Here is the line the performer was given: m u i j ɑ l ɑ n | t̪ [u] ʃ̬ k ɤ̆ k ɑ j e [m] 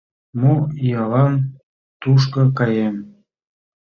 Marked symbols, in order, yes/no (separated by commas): yes, yes